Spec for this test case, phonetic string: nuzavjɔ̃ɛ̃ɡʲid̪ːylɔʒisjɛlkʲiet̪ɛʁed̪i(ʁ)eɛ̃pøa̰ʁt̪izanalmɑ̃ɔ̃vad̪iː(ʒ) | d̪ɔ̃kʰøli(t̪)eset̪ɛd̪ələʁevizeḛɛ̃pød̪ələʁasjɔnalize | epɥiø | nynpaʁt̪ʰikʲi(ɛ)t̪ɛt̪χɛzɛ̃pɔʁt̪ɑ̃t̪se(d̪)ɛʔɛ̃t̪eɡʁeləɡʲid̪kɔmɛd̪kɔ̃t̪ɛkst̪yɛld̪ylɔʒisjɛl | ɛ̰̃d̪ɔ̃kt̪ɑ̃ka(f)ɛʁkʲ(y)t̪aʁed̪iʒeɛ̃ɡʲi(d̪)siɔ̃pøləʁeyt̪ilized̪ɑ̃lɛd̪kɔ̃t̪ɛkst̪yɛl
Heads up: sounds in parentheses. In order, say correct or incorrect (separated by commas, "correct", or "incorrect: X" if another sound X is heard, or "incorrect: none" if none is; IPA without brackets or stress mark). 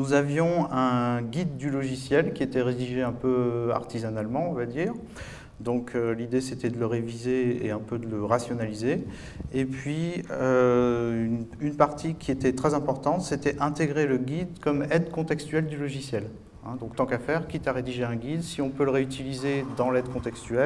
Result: incorrect: ʒ, incorrect: ʁ, incorrect: d̪, incorrect: e, incorrect: t̪, correct, incorrect: i, correct